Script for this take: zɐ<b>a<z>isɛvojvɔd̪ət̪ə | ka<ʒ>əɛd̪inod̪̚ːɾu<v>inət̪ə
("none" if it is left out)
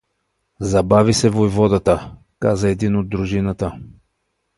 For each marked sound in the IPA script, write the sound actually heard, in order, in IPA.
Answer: b, v, z, ʒ

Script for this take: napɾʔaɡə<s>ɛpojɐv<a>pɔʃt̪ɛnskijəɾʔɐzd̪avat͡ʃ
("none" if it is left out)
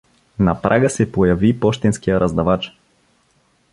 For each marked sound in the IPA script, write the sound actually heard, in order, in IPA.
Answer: s, i

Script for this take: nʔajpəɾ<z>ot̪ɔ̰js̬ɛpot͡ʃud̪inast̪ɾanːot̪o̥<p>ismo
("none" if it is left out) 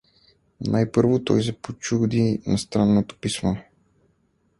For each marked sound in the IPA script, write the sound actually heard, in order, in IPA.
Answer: v, p

